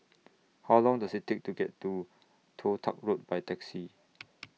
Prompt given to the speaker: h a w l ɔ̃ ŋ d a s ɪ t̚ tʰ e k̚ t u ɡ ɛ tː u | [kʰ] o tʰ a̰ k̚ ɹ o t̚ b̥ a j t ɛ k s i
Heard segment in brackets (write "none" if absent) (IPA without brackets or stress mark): tʰ